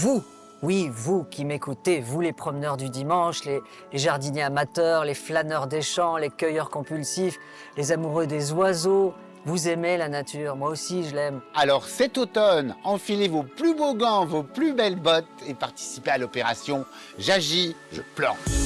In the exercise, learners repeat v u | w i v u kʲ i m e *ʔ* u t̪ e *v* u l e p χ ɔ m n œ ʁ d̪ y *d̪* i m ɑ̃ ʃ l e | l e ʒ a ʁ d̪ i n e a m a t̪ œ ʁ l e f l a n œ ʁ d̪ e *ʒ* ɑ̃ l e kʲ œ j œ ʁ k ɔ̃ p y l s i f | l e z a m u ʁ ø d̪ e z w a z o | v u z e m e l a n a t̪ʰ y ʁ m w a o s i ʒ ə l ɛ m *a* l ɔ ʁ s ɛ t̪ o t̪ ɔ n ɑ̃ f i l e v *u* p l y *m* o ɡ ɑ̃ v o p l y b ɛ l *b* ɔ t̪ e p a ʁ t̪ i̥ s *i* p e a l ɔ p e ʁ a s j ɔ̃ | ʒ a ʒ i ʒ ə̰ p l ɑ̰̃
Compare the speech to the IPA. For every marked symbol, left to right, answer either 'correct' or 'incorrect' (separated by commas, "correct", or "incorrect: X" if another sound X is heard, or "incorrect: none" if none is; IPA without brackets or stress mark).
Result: incorrect: k, correct, correct, incorrect: ʃ, correct, incorrect: o, incorrect: b, correct, correct